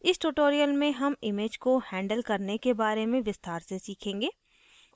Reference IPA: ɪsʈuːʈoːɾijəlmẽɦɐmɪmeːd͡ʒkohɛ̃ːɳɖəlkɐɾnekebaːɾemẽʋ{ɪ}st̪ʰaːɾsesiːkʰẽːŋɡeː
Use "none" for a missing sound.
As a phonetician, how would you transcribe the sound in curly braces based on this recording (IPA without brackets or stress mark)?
ɪ